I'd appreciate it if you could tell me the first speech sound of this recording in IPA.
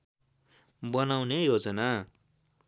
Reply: b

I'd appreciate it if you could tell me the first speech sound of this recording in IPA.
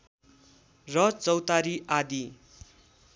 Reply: r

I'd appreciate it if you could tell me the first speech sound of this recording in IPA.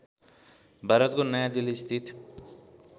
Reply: bʱ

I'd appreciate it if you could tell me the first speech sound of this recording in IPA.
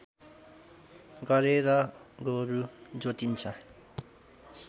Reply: ɡ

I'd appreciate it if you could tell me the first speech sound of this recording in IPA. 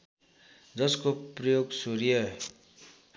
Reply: d͡z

